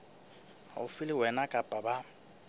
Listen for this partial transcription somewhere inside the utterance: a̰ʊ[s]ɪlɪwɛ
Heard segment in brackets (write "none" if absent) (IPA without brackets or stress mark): f